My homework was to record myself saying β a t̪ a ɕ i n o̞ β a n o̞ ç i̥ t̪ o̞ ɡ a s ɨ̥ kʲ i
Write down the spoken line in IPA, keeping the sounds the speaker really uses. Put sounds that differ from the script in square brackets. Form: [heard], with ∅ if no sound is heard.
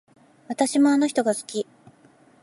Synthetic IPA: β a t̪ a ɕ i [m] o̞ [∅] a n o̞ ç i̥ t̪ o̞ ɡ a s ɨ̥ kʲ i